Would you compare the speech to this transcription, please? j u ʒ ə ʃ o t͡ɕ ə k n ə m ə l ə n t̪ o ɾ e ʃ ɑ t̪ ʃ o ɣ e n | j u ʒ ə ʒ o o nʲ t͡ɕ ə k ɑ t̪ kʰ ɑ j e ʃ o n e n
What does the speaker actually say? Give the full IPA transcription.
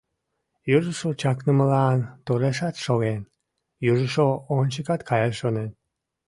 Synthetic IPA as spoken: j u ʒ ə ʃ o t͡ɕ ɑ k n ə m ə l ɑ n t̪ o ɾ e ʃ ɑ t̪ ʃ o ɣ e n | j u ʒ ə ʃ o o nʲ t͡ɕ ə k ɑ t̪ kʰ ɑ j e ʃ o n e n